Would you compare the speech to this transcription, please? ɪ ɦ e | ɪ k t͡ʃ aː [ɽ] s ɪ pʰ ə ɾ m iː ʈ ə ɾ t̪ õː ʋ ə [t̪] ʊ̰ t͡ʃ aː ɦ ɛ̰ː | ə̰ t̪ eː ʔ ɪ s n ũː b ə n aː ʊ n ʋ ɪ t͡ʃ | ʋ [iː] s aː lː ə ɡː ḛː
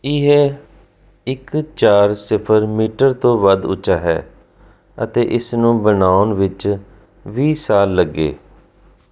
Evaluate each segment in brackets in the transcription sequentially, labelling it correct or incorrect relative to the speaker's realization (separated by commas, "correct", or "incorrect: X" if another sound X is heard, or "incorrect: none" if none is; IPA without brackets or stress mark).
incorrect: ɾ, incorrect: d̪, correct